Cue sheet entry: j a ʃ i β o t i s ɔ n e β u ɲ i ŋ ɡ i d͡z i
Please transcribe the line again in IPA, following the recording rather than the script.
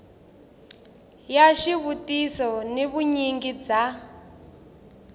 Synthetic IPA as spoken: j a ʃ i β u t i s ɔ n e β u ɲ i ŋ ɡ i d͡z a